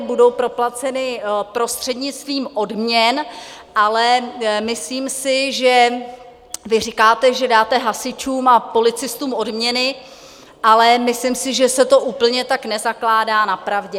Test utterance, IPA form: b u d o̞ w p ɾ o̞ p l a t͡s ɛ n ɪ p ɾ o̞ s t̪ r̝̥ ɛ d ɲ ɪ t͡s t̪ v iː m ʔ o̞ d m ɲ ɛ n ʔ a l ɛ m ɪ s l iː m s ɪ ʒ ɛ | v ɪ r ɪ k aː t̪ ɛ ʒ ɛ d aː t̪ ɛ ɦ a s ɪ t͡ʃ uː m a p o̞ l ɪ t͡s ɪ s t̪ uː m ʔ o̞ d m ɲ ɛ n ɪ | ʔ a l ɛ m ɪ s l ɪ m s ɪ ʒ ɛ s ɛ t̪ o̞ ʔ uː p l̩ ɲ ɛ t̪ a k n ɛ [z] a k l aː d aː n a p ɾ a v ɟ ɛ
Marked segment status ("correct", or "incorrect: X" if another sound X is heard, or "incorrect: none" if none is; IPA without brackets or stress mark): correct